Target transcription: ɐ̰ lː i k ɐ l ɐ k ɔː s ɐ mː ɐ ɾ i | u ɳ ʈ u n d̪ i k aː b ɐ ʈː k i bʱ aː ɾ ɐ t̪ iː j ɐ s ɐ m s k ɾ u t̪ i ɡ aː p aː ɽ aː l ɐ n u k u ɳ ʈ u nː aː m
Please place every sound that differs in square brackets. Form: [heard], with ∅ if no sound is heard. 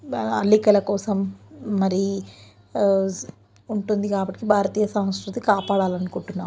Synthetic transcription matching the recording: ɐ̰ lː i k ɐ l ɐ k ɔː s ɐ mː ɐ ɾ i | u ɳ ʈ u n d̪ i k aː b ɐ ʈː k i bʱ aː ɾ ɐ t̪ iː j ɐ s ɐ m s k ɾ u t̪ i [k] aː p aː ɽ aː l ɐ n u k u ɳ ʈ u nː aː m